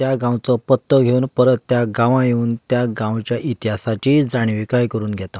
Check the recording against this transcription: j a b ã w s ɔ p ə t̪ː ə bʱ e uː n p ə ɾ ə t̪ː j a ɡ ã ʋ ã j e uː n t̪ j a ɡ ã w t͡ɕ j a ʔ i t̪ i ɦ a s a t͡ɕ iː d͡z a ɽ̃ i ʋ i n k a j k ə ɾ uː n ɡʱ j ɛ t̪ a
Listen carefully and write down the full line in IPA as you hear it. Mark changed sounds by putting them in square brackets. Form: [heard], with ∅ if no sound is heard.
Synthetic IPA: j a [ɡ] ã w [t͡s] ɔ p ə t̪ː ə [ɡʱ] e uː n p ə ɾ ə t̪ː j a ɡ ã ʋ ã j e uː n t̪ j a ɡ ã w t͡ɕ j a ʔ i t̪ i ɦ a s a t͡ɕ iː d͡z a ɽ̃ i ʋ i [∅] k a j k ə ɾ uː n ɡʱ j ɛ t̪ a